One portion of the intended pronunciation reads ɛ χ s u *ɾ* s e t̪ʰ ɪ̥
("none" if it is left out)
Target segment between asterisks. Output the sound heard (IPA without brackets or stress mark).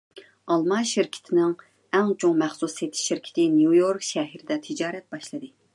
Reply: none